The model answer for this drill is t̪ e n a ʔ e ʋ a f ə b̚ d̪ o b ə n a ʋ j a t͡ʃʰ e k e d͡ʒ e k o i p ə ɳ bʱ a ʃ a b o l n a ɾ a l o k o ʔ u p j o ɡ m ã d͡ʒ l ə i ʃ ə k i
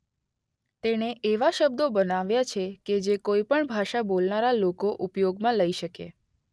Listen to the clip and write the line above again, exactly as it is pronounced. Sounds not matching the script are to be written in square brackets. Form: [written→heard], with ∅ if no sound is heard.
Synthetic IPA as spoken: t̪ e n [a→e] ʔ e ʋ a [f→ʃ] ə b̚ d̪ o b ə n a ʋ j a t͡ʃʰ e k e d͡ʒ e k o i p ə ɳ bʱ a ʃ a b o l n a ɾ a l o k o ʔ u p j o ɡ m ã [d͡ʒ→∅] l ə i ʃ ə k [i→e]